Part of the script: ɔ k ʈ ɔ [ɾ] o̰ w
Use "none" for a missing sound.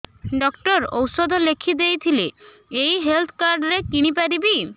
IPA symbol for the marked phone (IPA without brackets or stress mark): ɾ